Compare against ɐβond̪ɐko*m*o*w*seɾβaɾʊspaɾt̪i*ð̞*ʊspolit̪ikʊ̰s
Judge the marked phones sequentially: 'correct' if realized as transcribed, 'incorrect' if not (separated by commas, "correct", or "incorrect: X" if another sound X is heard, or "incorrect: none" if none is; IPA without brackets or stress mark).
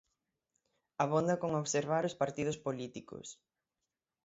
incorrect: ŋ, incorrect: β, correct